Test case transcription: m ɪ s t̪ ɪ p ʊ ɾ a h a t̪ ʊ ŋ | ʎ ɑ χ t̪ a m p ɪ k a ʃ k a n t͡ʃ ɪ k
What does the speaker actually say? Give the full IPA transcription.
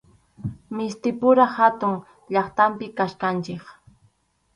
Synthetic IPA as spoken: m ɪ s t̪ ɪ p ʊ ɾ a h a t̪ ʊ ŋ | ʎ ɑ χ t̪ a m p ɪ k a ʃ k a n t͡ʃ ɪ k